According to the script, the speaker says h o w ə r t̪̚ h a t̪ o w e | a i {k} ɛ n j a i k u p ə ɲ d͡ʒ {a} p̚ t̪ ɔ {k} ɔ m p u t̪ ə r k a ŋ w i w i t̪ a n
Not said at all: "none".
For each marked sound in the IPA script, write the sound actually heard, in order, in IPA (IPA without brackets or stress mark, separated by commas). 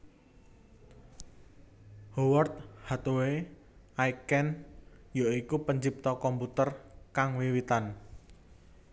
k, i, k